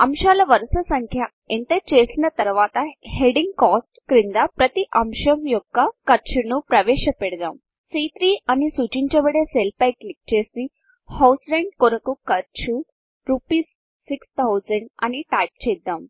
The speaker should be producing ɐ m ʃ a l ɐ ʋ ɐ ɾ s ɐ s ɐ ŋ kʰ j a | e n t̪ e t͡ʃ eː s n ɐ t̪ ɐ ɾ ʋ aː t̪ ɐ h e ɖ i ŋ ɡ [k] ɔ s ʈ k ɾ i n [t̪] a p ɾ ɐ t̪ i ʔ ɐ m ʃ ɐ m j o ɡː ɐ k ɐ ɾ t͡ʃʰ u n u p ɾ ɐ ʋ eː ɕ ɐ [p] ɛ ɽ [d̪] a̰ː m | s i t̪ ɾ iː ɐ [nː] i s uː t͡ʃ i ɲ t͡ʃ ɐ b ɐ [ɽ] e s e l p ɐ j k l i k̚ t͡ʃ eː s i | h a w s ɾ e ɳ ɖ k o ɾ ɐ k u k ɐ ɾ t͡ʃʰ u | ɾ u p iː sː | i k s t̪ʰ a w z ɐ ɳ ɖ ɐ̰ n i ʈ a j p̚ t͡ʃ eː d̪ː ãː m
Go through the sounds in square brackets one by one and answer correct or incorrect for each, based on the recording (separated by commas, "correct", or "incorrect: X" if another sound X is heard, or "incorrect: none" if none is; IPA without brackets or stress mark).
correct, incorrect: d̪, correct, correct, incorrect: n, correct